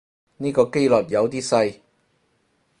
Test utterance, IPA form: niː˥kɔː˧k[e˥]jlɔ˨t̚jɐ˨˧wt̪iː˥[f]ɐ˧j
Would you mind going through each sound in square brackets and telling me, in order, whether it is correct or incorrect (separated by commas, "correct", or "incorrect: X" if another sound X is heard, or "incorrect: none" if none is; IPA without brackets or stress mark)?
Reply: correct, incorrect: s